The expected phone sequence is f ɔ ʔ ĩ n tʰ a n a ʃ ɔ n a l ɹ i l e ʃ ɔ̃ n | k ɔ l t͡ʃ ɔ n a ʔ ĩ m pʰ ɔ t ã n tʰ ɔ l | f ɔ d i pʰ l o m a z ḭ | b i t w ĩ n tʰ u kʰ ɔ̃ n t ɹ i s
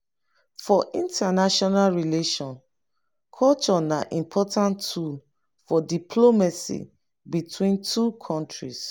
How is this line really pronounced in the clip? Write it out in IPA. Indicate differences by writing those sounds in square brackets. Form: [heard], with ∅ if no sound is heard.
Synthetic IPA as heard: f ɔ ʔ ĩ n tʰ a n a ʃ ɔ n a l ɹ i l e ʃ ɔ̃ n | [kʰ] ɔ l t͡ʃ ɔ n a ʔ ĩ m pʰ ɔ t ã n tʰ [u] l | f ɔ d i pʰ l o m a [s] ḭ | b i t w ĩ n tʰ u kʰ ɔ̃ n t ɹ i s